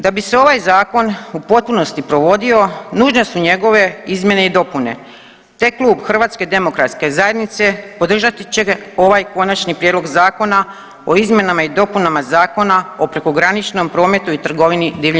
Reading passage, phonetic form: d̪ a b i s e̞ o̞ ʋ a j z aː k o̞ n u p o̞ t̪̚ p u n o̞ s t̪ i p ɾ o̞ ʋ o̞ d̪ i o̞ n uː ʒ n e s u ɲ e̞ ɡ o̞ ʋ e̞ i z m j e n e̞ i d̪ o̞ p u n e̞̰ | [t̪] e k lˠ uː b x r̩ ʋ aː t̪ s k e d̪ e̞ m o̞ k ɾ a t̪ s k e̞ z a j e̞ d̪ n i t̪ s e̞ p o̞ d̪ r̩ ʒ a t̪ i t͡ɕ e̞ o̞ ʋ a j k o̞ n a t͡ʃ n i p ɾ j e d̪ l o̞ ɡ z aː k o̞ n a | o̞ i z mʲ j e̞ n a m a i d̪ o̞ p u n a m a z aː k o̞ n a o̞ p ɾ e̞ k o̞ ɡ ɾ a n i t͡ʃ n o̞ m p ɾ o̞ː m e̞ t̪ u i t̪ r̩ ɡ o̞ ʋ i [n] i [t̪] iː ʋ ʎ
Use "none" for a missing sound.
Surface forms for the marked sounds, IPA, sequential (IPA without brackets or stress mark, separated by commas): t̪, n, d̪